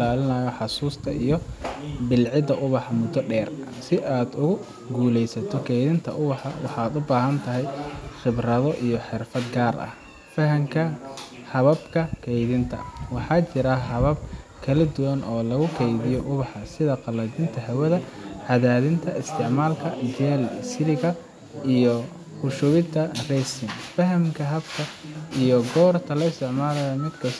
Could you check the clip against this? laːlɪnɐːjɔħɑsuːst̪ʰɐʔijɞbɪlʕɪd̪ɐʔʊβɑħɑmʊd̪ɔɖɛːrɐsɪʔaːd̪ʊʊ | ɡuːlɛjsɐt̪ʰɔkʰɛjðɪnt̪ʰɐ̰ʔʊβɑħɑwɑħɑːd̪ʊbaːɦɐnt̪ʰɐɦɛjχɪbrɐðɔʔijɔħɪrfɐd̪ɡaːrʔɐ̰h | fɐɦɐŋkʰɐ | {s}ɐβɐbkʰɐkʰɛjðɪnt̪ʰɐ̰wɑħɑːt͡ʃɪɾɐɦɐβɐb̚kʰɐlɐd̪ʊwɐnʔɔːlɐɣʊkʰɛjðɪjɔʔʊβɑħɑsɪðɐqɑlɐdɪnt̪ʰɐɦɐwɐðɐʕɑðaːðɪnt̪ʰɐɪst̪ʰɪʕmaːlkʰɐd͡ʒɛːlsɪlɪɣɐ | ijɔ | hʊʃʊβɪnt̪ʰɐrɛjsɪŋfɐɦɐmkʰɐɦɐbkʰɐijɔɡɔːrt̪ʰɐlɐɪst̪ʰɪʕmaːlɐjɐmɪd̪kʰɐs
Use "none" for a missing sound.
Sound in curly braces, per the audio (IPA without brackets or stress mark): h